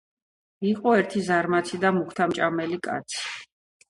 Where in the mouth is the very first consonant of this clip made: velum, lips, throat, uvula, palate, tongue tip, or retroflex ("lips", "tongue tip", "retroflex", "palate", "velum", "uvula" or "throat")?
uvula